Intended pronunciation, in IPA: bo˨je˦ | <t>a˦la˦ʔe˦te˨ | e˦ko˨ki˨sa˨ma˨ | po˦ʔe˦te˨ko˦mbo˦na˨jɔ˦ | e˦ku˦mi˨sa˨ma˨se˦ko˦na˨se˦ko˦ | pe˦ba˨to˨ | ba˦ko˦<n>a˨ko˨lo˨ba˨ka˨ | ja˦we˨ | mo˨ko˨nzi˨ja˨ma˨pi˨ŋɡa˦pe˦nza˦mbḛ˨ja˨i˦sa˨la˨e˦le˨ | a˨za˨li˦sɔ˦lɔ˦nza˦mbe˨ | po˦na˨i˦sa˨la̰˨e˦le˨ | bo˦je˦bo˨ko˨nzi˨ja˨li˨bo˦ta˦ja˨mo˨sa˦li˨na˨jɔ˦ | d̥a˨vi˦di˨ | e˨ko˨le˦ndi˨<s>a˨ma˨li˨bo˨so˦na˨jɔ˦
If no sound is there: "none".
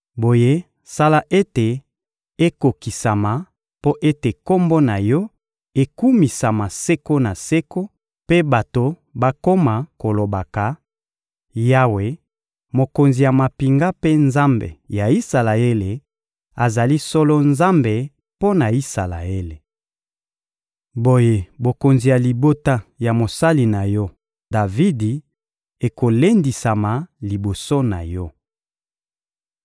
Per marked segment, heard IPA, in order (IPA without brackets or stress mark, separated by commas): s, m, s